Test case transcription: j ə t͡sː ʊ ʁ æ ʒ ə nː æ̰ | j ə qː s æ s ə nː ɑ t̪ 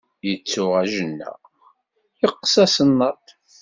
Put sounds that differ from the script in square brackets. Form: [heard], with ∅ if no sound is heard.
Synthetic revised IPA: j ə t͡sː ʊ ʁ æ ʒ ə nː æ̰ | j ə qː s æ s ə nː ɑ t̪